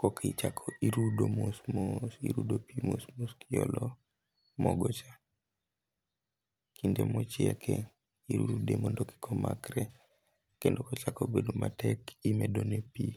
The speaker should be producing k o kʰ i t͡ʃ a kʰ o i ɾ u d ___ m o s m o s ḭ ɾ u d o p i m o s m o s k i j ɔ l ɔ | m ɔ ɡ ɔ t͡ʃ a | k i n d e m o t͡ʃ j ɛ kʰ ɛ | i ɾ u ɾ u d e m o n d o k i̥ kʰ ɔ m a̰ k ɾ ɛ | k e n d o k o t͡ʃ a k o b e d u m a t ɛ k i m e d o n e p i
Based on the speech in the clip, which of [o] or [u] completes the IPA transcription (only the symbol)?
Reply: o